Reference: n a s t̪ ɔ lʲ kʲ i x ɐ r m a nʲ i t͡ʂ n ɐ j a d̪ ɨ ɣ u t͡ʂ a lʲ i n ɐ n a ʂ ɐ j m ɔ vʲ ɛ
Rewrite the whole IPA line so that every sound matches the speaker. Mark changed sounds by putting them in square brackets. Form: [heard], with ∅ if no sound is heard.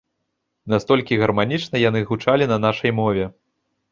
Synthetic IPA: n a s t̪ ɔ lʲ kʲ i [ɣ] ɐ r m a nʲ i t͡ʂ n ɐ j a [n̪] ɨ ɣ u t͡ʂ a lʲ i n ɐ n a ʂ ɐ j m ɔ vʲ ɛ